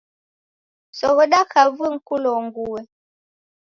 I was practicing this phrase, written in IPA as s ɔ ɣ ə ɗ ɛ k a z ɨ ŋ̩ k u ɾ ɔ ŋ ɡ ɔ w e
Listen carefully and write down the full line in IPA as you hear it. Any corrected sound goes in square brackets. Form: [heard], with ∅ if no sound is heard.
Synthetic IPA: s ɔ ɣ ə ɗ [a] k a [v] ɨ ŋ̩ k u [l] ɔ ŋ ɡ [u] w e